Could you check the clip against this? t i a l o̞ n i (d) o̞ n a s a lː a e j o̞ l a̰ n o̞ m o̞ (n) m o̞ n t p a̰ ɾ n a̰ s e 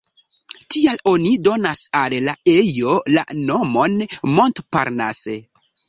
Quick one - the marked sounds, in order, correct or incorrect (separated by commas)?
correct, correct